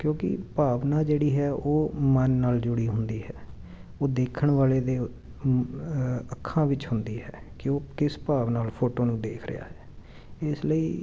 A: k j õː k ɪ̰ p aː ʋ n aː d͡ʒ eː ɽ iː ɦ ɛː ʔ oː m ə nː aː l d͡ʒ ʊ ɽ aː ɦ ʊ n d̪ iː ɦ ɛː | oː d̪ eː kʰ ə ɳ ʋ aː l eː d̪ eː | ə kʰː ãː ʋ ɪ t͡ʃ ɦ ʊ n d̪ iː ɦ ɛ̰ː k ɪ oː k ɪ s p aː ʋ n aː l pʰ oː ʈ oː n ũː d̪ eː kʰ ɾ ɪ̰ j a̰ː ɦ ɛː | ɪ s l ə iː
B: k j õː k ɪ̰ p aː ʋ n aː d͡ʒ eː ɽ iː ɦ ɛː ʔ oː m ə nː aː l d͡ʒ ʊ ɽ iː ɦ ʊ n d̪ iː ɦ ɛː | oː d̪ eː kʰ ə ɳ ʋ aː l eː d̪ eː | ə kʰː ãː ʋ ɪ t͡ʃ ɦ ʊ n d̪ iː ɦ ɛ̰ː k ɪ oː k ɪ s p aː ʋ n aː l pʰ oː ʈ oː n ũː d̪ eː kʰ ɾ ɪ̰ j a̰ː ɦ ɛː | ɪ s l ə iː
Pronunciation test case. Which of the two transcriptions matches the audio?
B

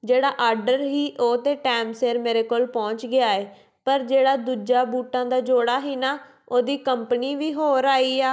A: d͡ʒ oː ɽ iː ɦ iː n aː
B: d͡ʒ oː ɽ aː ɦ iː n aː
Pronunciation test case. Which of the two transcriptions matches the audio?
B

